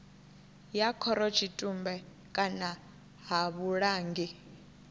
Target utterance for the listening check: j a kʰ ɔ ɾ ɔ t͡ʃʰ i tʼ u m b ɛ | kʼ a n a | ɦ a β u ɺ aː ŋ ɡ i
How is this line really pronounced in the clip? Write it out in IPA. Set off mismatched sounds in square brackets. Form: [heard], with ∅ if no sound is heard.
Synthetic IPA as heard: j a kʰ ɔ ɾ ɔ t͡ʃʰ i tʼ u m b ɛ | kʼ a n a | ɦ a β u ɺ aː ŋ ɡ i